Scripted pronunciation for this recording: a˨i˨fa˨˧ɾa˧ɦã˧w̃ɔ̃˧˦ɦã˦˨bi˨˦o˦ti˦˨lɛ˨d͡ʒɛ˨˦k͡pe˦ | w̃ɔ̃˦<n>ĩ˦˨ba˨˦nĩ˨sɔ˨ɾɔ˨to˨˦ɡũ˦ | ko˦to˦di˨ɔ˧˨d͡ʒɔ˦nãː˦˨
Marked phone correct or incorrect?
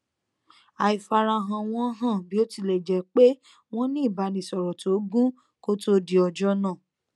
correct